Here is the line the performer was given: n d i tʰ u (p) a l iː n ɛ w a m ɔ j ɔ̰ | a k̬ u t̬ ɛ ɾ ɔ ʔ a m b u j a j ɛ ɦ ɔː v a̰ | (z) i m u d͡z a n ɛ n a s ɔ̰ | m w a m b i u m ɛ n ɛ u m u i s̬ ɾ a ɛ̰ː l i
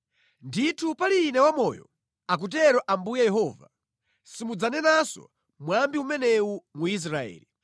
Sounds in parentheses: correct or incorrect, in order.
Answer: correct, incorrect

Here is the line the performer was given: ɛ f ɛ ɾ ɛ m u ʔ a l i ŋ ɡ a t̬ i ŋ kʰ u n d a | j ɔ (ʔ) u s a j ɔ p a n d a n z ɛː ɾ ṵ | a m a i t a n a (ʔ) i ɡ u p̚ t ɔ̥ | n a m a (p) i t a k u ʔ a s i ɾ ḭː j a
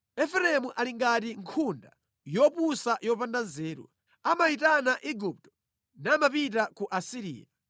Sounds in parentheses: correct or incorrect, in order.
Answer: incorrect, correct, correct

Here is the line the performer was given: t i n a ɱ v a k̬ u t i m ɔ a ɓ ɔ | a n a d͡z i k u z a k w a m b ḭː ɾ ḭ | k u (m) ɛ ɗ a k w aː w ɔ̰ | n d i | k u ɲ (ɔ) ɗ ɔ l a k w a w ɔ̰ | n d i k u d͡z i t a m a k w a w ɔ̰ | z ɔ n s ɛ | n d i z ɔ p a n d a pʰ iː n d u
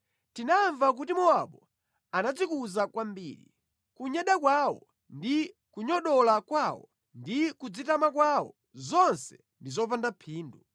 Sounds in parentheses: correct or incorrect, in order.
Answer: incorrect, correct

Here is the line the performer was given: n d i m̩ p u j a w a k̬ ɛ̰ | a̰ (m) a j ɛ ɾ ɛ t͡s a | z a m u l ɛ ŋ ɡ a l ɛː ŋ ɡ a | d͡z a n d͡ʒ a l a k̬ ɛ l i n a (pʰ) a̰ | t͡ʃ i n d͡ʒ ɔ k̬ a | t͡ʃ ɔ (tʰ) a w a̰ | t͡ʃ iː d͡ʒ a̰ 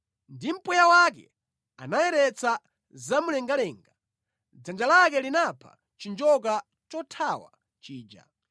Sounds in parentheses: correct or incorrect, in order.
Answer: incorrect, correct, correct

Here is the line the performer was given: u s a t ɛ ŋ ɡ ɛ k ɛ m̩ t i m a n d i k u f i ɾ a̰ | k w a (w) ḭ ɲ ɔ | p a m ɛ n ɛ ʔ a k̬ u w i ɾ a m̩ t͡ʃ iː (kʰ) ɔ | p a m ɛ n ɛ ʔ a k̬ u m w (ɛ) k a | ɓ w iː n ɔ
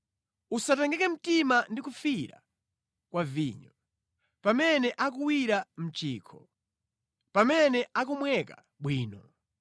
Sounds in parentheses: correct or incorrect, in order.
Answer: incorrect, correct, correct

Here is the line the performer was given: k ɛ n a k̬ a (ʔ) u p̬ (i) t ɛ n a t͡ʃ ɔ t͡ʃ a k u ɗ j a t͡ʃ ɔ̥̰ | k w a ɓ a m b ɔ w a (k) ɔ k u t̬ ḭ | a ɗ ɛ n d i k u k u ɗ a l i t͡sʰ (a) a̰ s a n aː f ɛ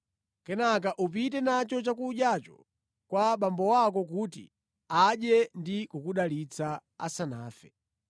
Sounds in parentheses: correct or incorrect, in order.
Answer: correct, correct, correct, correct

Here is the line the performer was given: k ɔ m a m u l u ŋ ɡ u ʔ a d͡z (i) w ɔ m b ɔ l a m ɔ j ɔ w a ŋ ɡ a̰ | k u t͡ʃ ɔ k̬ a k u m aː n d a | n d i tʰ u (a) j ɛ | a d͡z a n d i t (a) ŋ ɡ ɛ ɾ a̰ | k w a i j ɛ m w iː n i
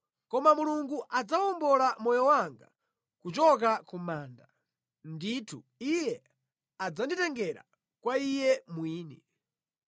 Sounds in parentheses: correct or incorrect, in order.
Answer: incorrect, incorrect, incorrect

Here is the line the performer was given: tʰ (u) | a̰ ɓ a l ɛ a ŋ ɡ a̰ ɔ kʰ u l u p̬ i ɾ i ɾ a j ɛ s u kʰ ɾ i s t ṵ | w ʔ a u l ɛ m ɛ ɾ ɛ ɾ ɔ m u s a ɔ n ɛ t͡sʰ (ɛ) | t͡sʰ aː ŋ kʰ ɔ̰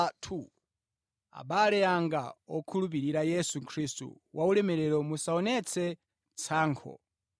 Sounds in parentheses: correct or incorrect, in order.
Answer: correct, correct

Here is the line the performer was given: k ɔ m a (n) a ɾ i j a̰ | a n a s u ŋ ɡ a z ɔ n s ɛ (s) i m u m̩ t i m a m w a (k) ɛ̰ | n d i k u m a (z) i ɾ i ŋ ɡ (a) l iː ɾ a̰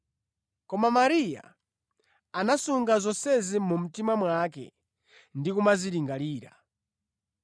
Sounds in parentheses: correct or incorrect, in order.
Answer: incorrect, incorrect, correct, correct, correct

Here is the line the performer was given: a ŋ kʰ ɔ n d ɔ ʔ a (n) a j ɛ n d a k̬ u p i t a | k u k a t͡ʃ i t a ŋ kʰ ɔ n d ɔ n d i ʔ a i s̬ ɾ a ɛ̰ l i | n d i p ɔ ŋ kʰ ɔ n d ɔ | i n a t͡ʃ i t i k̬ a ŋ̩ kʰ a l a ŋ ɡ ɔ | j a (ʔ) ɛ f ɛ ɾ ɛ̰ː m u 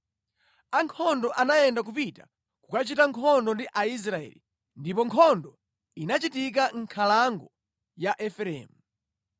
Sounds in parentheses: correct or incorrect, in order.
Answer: correct, correct

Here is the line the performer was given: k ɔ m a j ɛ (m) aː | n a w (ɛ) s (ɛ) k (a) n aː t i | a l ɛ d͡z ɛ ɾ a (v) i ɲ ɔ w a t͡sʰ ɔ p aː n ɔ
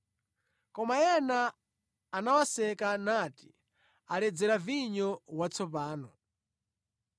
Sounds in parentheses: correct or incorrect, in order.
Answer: incorrect, incorrect, correct, correct, correct

